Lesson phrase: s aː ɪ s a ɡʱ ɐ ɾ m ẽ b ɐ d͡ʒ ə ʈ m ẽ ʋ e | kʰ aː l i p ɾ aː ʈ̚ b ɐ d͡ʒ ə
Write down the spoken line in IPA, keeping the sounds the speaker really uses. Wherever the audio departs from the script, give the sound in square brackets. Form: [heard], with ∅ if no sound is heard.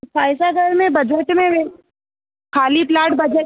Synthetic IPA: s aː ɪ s a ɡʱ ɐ ɾ m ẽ b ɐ d͡ʒ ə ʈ m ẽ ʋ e | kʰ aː l i p [l] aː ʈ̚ b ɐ d͡ʒ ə